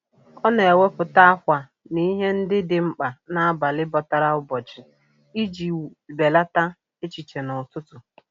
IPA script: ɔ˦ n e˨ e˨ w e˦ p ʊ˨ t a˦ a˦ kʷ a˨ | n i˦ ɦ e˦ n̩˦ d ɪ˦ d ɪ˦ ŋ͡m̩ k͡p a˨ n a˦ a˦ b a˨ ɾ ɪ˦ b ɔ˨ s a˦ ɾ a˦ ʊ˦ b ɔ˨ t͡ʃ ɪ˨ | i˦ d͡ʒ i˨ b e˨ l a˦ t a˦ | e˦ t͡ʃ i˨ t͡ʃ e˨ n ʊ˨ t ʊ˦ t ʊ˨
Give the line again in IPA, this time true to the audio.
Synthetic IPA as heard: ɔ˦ n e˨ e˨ w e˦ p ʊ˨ t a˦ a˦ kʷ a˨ | n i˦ ɦ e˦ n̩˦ d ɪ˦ d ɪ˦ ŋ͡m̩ k͡p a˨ n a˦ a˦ b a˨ l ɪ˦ b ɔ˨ t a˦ ɾ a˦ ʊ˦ b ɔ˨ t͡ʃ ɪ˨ | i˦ d͡ʒ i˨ b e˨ l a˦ t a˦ | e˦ t͡ʃ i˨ t͡ʃ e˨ n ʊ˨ t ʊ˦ t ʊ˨